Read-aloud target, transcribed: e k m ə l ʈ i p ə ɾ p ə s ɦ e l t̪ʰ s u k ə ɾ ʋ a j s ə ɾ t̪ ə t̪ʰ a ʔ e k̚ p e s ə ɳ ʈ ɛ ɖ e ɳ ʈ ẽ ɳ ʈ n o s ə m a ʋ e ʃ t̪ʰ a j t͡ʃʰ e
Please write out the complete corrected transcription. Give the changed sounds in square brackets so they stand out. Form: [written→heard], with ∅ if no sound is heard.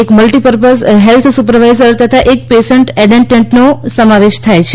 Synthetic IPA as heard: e k m ə l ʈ i p ə ɾ p ə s ɦ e l t̪ʰ s u [k→p] ə ɾ ʋ a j [s→z] ə ɾ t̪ ə t̪ʰ a ʔ e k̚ p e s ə ɳ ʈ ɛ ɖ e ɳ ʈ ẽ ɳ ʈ n o s ə m a ʋ e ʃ t̪ʰ a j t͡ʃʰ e